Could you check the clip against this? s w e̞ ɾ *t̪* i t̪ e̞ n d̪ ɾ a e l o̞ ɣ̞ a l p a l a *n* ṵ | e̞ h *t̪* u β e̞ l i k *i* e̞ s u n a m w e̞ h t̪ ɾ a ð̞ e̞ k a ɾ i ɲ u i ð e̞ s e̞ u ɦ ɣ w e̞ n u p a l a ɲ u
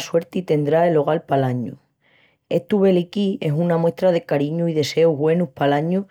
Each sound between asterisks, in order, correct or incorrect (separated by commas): correct, incorrect, correct, correct